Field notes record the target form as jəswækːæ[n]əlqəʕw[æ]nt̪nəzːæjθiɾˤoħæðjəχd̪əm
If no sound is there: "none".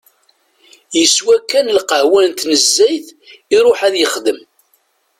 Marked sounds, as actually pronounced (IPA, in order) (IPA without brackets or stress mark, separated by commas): n, æ